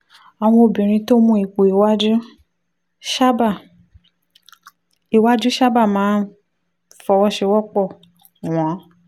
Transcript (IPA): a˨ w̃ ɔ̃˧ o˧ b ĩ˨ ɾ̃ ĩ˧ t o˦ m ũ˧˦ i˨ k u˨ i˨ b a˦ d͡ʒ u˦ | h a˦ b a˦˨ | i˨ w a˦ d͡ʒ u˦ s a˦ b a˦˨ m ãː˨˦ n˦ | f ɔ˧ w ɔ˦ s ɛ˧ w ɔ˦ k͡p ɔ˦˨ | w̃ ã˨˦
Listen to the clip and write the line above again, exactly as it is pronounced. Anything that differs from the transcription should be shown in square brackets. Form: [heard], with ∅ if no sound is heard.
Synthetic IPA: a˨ w̃ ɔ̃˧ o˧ b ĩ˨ ɾ̃ ĩ˧ t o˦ m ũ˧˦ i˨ k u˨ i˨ [w] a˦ d͡ʒ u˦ | [ʃ] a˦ b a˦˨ | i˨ w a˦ d͡ʒ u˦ [ʃ] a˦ b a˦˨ m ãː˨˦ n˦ | f ɔ˧ w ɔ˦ [ʃ] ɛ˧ w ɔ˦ k͡p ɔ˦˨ | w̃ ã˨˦